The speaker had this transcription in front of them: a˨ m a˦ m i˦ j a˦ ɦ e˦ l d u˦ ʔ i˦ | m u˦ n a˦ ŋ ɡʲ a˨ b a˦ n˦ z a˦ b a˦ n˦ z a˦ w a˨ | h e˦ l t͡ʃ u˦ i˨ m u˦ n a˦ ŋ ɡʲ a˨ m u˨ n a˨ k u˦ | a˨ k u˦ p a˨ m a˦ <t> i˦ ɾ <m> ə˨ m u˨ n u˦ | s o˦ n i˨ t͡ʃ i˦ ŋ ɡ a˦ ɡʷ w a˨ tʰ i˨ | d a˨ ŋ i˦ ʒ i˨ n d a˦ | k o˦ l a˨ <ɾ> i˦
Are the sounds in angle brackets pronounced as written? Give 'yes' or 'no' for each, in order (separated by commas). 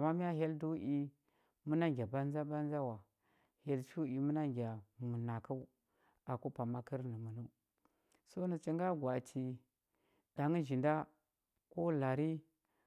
no, no, yes